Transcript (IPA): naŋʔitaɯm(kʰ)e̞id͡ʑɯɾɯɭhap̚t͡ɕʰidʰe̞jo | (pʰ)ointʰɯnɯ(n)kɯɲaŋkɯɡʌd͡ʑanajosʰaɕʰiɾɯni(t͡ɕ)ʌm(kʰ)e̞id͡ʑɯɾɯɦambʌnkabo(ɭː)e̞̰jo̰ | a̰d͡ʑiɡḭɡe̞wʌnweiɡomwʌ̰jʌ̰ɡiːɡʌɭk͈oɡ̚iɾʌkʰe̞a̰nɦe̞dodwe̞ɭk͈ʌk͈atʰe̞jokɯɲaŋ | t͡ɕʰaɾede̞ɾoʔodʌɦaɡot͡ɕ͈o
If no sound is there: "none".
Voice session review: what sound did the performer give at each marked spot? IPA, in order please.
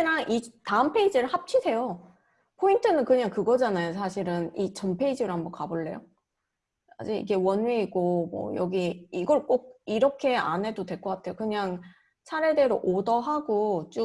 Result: pʰ, pʰ, n, t͡ɕ, pʰ, ɭː

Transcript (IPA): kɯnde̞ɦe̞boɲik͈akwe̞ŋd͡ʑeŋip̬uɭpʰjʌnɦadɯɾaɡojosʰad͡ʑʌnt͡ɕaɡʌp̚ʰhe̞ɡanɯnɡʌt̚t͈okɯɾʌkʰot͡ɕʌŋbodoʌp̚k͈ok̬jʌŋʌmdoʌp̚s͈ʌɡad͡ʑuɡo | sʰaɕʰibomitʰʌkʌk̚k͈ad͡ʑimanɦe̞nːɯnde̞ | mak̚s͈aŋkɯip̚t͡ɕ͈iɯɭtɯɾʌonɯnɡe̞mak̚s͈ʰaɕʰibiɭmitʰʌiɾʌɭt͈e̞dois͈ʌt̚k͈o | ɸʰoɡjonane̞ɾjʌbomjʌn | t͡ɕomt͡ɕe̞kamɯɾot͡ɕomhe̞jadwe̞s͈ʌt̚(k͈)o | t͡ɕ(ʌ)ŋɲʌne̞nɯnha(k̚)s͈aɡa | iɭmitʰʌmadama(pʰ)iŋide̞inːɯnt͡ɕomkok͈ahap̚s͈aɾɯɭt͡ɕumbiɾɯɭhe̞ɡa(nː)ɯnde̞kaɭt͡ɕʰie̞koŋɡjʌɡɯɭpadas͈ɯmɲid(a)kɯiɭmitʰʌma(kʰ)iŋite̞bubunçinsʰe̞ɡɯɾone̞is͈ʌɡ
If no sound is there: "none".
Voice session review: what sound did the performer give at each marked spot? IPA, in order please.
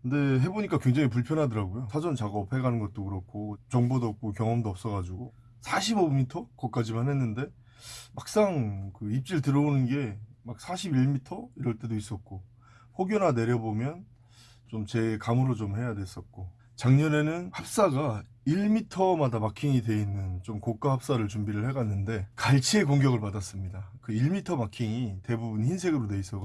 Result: k͈, a, p̚, kʰ, nː, a, kʰ

